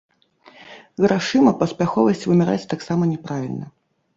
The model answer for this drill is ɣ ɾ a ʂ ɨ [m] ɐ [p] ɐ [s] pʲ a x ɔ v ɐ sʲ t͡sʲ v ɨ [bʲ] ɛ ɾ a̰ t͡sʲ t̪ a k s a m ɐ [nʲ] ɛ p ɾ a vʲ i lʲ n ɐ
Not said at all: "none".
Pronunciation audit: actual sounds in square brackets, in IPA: m, p, s, mʲ, nʲ

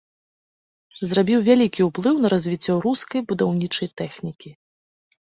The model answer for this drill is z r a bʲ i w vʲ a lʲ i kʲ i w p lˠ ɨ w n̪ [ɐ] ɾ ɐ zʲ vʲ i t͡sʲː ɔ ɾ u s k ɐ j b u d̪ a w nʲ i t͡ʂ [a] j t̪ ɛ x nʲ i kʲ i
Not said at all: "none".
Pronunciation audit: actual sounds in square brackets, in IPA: ɐ, ɐ

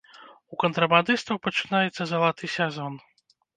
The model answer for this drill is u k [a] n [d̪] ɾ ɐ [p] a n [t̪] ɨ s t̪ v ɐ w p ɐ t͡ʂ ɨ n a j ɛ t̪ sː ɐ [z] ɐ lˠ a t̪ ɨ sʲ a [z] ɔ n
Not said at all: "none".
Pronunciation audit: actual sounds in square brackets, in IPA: ɐ, t̪, b, d̪, z, z

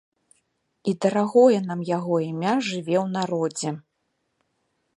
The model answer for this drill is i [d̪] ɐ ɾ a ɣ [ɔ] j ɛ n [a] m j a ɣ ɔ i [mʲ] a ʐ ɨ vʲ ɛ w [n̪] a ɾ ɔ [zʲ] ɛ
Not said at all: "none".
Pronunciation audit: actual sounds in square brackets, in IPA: d̪, ɔ, a, mʲ, n̪, d͡zʲ

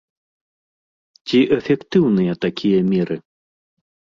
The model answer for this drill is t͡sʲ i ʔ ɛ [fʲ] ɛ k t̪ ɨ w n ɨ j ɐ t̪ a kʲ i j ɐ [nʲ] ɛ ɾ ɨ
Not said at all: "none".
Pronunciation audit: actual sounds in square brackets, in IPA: fʲ, mʲ

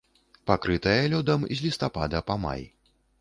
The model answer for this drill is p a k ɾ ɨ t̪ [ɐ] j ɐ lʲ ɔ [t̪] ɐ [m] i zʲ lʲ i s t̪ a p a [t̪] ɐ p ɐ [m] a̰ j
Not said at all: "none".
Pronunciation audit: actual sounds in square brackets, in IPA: ɐ, d̪, m, d̪, m

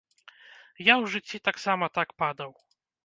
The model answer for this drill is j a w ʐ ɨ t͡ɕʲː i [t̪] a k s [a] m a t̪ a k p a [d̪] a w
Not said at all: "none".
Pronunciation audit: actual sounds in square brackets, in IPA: t̪, a, d̪

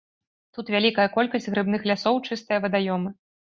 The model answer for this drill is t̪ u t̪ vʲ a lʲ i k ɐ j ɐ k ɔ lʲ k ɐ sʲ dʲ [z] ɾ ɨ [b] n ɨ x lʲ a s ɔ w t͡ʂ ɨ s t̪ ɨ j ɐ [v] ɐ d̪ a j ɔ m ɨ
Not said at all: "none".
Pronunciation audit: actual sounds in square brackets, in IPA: ɣ, b, v

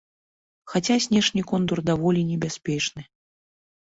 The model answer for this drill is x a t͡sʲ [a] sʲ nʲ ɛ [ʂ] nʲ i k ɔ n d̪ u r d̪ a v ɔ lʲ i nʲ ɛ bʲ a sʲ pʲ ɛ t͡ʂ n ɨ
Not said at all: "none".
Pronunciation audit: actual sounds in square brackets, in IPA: a, ʂ

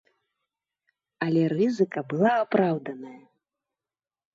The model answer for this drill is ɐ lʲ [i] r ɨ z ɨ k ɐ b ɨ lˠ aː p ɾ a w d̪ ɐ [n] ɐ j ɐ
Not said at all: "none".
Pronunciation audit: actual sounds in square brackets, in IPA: ɛ, n

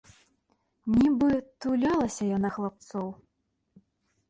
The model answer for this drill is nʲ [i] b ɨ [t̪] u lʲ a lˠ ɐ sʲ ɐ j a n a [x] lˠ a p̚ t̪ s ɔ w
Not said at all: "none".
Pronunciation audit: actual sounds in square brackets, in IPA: i, t̪, x

